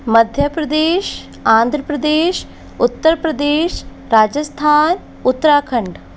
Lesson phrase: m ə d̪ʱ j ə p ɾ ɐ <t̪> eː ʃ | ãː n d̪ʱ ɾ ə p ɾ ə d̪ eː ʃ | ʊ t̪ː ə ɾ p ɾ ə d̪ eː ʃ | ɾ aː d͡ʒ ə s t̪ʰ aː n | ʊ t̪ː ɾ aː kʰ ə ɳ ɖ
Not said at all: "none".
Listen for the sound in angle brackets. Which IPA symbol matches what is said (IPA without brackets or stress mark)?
d̪